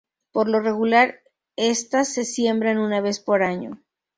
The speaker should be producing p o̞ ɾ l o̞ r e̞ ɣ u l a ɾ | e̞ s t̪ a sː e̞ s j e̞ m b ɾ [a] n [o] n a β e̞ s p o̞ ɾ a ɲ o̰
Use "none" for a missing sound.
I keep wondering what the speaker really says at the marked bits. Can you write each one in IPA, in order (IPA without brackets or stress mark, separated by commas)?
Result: a, u